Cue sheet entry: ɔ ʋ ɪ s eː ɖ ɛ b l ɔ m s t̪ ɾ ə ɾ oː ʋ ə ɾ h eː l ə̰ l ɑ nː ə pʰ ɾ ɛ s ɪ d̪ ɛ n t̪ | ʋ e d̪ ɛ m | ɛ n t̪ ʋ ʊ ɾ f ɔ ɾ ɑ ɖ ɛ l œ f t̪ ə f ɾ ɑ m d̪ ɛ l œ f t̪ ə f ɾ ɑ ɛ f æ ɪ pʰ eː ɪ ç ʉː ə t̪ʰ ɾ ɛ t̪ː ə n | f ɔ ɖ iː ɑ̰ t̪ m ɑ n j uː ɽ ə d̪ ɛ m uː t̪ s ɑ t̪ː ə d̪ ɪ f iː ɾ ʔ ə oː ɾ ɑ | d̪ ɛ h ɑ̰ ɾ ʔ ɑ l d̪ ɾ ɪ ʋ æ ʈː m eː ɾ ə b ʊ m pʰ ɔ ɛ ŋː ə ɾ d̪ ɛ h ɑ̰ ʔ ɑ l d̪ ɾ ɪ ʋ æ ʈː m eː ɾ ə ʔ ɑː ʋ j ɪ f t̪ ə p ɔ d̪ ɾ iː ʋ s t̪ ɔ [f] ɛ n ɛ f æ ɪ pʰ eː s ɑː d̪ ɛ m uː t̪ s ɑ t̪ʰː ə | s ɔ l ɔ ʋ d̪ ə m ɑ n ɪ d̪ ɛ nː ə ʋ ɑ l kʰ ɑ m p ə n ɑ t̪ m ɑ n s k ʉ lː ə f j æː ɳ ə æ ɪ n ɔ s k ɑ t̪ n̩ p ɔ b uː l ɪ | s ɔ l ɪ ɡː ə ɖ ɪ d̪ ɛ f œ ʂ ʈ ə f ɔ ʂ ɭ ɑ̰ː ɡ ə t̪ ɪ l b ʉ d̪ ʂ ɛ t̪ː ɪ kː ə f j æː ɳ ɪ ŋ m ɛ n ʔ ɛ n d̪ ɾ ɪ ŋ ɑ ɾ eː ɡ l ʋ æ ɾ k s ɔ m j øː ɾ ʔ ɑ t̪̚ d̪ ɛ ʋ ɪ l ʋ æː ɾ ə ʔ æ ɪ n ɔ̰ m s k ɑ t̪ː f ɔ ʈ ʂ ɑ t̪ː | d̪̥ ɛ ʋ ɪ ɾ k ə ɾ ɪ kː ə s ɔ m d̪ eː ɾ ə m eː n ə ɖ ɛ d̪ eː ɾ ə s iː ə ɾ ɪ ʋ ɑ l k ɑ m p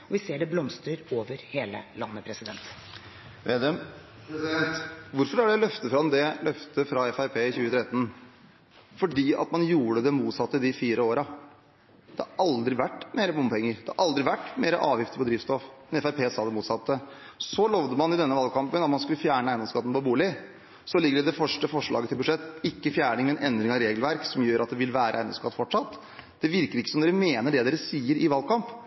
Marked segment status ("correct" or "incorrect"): correct